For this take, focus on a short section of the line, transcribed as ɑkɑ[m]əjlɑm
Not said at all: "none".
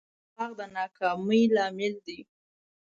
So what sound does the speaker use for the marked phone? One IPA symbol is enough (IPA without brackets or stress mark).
m